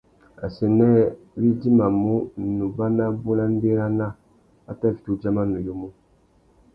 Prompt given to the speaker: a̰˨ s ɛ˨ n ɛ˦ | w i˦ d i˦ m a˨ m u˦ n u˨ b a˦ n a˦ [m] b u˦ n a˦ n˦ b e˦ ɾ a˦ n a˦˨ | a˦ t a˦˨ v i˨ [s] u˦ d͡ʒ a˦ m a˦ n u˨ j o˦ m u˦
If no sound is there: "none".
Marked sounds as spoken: none, t

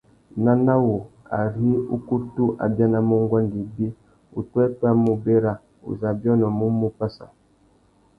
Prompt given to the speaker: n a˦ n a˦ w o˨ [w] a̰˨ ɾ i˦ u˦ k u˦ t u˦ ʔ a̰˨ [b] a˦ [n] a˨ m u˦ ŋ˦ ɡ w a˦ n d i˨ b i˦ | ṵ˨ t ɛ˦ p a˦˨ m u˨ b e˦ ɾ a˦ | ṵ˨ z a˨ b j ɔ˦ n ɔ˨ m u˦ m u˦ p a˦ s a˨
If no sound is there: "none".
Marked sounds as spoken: none, b, n

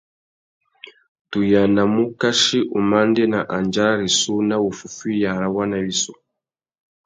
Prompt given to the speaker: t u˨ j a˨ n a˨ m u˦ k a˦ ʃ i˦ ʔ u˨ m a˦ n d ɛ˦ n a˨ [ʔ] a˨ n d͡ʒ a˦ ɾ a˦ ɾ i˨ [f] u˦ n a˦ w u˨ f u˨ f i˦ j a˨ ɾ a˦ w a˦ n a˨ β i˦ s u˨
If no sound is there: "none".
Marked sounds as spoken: ʔ, s

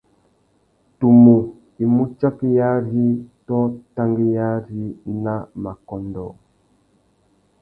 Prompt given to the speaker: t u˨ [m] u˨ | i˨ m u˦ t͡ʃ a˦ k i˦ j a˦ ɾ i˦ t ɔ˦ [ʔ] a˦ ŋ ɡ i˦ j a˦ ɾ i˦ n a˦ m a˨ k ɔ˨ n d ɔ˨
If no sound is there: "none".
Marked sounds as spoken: m, t

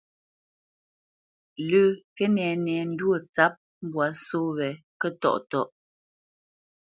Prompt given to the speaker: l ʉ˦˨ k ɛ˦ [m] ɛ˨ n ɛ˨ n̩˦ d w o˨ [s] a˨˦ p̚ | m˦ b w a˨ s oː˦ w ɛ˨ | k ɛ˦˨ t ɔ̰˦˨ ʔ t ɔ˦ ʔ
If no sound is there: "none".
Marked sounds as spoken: n, t͡s

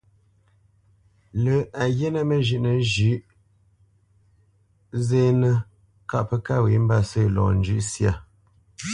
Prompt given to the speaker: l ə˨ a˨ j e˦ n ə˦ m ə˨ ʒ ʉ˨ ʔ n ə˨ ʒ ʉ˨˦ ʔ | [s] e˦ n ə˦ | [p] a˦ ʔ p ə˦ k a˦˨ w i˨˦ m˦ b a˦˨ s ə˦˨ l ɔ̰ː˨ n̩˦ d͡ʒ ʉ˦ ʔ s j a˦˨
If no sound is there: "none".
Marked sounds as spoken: z, k

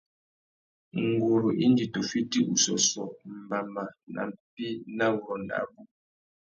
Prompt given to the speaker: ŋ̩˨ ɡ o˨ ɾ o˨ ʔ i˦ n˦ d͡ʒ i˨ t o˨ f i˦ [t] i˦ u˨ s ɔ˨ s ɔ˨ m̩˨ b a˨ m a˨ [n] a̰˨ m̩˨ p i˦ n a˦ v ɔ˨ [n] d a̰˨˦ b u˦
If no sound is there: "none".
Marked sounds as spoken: t, n, n

